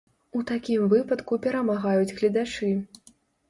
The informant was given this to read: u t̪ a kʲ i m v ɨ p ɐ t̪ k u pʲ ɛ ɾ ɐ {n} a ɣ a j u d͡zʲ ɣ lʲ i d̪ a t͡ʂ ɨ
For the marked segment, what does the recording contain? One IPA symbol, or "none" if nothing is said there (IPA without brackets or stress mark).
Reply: m